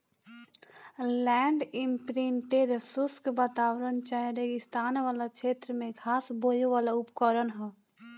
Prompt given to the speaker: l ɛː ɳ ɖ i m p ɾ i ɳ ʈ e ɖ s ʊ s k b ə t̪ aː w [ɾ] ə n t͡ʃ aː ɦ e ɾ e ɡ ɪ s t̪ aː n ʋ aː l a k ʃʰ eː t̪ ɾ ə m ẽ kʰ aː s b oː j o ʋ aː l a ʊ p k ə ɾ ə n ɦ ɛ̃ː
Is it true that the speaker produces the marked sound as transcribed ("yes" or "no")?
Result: yes